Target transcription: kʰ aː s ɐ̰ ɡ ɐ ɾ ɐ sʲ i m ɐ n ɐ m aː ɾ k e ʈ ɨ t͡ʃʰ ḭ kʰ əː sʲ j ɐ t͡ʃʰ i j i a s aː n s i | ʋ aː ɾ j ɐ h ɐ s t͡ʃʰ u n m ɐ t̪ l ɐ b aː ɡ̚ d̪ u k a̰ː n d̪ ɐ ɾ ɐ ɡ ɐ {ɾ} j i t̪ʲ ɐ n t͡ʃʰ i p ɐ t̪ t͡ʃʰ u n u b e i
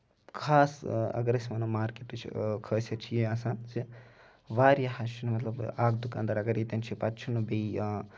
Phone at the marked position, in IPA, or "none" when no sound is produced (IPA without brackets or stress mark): ɾ